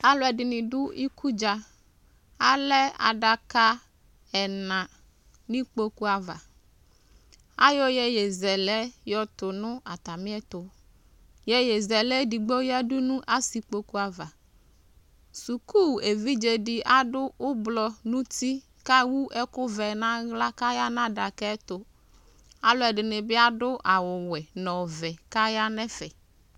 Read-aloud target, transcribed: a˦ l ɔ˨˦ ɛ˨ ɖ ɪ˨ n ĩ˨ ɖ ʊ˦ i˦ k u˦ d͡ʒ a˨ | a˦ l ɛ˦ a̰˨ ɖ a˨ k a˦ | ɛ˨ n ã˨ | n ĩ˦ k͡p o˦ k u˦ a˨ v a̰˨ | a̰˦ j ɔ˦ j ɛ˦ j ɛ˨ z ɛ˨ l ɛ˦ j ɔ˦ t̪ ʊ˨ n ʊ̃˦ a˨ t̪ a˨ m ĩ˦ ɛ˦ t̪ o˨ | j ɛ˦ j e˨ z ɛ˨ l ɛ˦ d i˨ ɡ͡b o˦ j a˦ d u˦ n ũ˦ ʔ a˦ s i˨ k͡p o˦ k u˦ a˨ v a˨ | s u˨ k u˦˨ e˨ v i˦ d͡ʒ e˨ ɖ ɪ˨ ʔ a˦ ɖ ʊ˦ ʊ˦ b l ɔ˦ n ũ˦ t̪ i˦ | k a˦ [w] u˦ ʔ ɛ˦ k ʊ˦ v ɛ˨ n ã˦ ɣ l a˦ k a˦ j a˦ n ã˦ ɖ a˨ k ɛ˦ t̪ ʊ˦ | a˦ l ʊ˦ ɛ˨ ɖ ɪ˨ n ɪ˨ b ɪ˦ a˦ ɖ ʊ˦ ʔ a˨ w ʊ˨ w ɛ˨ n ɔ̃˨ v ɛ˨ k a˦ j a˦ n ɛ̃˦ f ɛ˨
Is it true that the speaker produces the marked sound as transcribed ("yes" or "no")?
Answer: yes